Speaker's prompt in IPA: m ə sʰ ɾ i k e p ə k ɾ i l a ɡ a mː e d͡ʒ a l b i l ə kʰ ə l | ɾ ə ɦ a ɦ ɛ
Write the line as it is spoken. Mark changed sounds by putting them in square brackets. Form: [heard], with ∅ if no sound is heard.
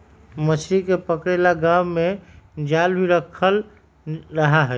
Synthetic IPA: m ə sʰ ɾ i k e p ə k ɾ [e] l a ɡ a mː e d͡ʒ a l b i [ɾ] ə kʰ ə l | ɾ ə ɦ a ɦ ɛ